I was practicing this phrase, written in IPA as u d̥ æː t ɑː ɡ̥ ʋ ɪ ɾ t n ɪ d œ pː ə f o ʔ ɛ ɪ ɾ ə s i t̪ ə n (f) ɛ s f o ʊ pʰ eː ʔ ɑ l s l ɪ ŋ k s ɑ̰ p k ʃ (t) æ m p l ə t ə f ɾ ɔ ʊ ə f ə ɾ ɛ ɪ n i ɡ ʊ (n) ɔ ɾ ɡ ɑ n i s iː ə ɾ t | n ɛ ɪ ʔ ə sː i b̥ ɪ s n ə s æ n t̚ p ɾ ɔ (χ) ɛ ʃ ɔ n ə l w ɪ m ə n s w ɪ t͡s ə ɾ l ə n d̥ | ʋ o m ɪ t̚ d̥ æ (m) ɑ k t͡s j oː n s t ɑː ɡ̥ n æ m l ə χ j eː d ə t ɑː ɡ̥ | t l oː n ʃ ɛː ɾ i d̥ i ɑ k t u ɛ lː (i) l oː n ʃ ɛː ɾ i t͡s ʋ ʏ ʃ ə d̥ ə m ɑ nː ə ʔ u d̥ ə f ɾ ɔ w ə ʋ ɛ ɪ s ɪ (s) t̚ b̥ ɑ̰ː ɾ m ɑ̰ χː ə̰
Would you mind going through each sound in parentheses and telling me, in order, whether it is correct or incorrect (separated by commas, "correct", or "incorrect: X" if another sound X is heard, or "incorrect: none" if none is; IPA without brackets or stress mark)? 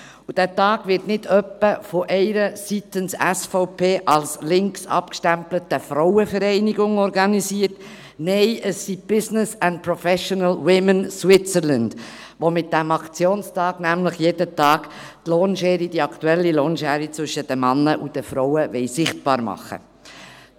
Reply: incorrect: s, correct, incorrect: ŋ, incorrect: f, correct, correct, incorrect: χ